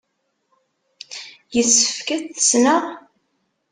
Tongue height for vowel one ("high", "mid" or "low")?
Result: mid